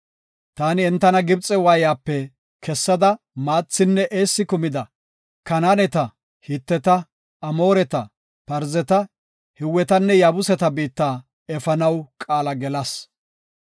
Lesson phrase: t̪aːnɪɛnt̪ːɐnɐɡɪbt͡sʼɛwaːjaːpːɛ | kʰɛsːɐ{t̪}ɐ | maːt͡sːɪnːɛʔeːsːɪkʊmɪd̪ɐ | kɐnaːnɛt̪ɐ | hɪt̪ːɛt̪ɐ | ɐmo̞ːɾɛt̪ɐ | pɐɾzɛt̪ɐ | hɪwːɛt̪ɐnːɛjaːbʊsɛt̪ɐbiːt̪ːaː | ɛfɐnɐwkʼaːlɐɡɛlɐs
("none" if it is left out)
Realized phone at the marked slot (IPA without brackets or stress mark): d̪